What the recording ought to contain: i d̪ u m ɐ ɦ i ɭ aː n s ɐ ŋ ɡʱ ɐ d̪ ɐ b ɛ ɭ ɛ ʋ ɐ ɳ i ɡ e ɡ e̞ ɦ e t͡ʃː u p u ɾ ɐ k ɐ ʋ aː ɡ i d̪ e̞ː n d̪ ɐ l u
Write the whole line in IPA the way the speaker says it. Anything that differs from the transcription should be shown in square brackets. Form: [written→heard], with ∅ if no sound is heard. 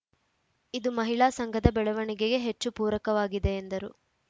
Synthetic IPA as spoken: i d̪ u m ɐ ɦ i ɭ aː [n→∅] s ɐ ŋ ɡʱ ɐ d̪ ɐ b ɛ ɭ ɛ ʋ ɐ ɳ i ɡ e ɡ e̞ ɦ e t͡ʃː u p [u→uː] ɾ ɐ k ɐ ʋ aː ɡ i d̪ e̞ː n d̪ ɐ [l→ɾ] u

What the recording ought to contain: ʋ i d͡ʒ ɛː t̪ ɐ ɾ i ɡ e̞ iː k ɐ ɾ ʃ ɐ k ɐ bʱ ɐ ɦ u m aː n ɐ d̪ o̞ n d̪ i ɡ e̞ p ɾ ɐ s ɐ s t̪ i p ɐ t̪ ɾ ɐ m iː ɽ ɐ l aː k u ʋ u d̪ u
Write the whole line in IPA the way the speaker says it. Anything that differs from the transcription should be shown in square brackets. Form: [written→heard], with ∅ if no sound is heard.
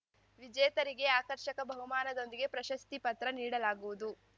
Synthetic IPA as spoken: ʋ i d͡ʒ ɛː t̪ ɐ ɾ i ɡ e̞ [iː→aː] k ɐ ɾ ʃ ɐ k ɐ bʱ ɐ ɦ u m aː n ɐ d̪ o̞ n d̪ i ɡ e̞ p ɾ ɐ [s→ʃ] ɐ s t̪ i p ɐ t̪ ɾ ɐ [m→n] iː ɽ ɐ l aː [k→ɡ] u ʋ u d̪ u

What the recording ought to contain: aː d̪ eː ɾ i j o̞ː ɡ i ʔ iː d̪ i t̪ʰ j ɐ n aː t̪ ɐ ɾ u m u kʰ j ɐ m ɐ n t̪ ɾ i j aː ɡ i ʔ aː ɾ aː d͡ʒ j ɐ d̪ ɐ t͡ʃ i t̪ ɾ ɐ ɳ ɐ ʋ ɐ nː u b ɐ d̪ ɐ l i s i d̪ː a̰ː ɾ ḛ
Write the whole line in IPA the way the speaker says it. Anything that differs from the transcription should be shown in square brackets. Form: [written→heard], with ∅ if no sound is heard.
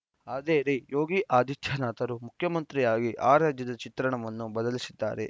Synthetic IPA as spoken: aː d̪ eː ɾ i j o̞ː ɡ i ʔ [iː→aː] d̪ i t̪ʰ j ɐ n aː t̪ ɐ ɾ u m u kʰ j ɐ m ɐ n t̪ ɾ i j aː ɡ i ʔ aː ɾ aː d͡ʒ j ɐ d̪ ɐ t͡ʃ i t̪ ɾ ɐ ɳ ɐ ʋ ɐ nː u b ɐ d̪ ɐ l i s i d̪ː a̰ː ɾ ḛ

